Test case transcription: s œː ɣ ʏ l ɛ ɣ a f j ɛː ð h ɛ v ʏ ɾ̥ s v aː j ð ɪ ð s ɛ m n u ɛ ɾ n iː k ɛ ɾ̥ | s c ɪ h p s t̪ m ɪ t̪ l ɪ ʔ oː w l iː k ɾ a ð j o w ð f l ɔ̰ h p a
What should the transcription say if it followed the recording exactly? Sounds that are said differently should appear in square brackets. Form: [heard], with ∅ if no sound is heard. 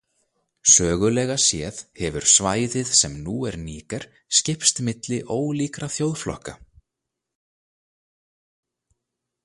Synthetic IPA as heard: s œː ɣ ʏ l ɛ ɣ a [s] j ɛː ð h ɛ v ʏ ɾ̥ s v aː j ð ɪ ð s ɛ m n u ɛ ɾ n iː k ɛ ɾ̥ | s c ɪ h p s t̪ m ɪ t̪ l ɪ ʔ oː w l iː k ɾ a [θ] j o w ð f l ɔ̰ h [k] a